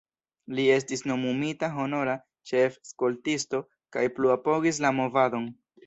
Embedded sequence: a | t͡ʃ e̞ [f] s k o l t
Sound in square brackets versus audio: correct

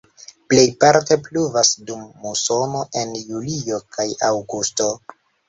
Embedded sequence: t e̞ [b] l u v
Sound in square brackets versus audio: incorrect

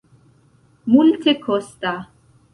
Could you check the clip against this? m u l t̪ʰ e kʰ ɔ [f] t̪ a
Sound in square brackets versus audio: incorrect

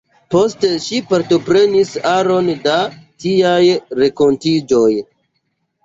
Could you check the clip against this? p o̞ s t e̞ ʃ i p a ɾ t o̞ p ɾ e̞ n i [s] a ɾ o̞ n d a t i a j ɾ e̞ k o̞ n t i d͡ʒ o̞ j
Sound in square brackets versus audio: correct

